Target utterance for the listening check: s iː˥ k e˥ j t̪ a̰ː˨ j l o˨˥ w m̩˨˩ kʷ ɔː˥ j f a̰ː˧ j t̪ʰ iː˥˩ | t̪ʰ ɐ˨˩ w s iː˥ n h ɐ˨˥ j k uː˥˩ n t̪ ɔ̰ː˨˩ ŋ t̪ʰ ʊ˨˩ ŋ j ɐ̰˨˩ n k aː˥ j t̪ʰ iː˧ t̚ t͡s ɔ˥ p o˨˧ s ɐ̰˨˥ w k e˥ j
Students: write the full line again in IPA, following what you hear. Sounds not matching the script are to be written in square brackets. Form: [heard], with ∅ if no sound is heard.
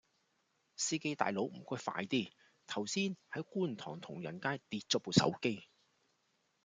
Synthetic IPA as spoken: s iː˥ k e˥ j t̪ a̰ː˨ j l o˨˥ w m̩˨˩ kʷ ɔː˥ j f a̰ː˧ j [t̪] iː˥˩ | t̪ʰ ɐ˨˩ w s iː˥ n h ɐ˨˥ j k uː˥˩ n [t̪ʰ] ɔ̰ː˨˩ ŋ t̪ʰ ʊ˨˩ ŋ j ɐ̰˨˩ n k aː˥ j [t̪] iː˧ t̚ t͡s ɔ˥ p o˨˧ s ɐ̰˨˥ w k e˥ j